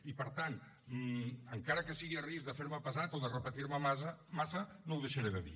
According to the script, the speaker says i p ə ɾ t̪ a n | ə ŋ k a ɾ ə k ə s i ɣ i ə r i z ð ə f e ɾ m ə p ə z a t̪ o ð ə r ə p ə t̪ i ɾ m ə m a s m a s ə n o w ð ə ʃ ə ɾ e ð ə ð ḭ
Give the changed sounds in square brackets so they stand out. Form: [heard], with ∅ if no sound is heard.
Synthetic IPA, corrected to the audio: i p ə ɾ t̪ a n | ə ŋ k a ɾ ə k ə s i ɣ i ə r i z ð ə f e ɾ m ə p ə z a t̪ o ð ə r ə p ə t̪ i ɾ m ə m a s m a s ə n o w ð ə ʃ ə ɾ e ð ə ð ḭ